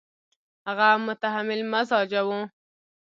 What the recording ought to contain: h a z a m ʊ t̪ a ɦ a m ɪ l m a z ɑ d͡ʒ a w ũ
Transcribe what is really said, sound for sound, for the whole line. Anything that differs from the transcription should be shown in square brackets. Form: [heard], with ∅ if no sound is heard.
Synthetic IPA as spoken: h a [ɣ] a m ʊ t̪ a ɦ a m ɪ l m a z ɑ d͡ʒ a w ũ